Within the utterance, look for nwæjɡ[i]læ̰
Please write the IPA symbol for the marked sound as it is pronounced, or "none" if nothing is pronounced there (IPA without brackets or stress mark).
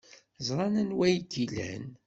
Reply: i